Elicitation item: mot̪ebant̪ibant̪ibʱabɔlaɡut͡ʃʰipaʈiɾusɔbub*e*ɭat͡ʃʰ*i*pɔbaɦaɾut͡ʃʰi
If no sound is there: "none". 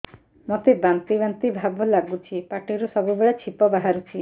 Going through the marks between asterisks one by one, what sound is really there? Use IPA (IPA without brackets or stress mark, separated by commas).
e, i